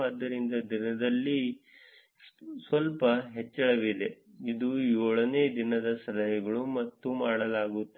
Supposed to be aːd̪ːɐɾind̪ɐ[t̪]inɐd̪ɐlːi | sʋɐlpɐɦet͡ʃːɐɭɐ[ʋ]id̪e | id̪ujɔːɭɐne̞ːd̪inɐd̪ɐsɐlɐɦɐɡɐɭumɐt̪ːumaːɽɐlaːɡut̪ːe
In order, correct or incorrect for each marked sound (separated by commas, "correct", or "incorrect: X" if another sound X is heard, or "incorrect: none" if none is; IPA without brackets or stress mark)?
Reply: incorrect: d̪, correct